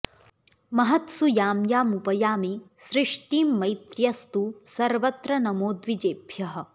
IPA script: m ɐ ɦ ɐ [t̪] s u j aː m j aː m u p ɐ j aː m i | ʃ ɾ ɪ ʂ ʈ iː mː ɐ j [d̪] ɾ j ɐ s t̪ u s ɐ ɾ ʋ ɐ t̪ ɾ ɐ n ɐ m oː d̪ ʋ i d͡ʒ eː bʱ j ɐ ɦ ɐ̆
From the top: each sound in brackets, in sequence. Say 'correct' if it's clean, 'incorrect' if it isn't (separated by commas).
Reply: correct, incorrect